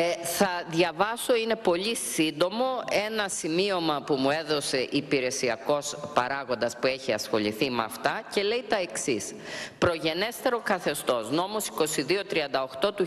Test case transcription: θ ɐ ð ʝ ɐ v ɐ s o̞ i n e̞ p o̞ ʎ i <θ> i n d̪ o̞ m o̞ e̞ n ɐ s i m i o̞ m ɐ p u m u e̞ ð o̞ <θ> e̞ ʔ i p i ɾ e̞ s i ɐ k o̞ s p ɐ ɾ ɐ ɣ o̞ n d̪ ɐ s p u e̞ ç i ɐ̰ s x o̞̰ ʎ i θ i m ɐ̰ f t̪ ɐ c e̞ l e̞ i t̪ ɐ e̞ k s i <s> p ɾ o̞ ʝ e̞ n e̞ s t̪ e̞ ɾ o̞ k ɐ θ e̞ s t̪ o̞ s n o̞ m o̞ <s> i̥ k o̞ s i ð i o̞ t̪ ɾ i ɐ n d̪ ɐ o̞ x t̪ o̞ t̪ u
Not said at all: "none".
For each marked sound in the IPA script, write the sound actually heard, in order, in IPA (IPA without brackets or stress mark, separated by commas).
s, s, s, s